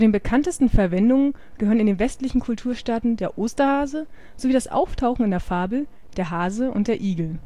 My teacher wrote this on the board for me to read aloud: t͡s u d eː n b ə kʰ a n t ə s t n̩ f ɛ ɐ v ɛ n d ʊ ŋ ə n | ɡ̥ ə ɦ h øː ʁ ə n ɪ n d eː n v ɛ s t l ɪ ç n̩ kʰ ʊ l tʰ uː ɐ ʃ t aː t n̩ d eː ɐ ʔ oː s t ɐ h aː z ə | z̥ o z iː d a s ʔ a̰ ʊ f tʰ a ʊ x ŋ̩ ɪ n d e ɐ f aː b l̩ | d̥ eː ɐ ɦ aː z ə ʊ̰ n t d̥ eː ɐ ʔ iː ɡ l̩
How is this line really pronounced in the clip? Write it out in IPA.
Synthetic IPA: t͡s u d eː n b ə kʰ a n t ə s t n̩ f ɛ ɐ v ɛ n d ʊ ŋ ə n | ɡ̥ ə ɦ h øː ʁ ə n ɪ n d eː n v ɛ s t l ɪ ç n̩ kʰ ʊ l tʰ uː ɐ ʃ t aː t n̩ d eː ɐ ʔ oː s t ɐ h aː z ə | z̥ o v iː d a s ʔ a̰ ʊ f tʰ a ʊ x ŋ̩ ɪ n d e ɐ f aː b l̩ | d̥ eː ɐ ɦ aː z ə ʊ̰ n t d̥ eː ɐ ʔ iː ɡ l̩